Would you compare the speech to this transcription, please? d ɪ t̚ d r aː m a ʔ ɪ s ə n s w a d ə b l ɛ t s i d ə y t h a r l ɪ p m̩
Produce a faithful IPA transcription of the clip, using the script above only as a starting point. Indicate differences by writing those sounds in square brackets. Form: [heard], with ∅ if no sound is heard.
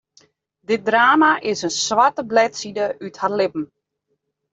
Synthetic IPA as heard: d ɪ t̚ d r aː m a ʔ ɪ s ə n s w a [t] ə b l ɛ t s i d ə y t h a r l ɪ p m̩